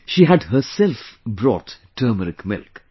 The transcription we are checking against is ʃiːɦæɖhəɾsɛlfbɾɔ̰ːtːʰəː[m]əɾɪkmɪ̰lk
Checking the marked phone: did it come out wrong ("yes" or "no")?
no